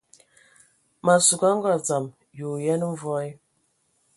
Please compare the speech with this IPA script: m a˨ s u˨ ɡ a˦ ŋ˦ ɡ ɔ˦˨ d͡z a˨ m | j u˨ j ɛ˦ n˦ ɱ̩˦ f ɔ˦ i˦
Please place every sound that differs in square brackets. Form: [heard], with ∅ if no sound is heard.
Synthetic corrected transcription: m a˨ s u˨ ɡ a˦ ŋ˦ ɡ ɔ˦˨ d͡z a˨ m | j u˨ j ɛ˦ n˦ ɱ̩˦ [v] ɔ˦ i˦